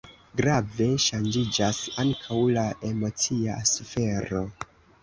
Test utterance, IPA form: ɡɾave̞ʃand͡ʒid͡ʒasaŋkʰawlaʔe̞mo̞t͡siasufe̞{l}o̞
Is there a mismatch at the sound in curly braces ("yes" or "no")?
yes